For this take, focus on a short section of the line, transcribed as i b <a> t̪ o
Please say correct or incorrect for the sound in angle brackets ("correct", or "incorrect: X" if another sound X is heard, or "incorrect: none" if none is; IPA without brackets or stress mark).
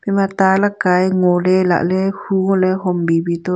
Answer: incorrect: i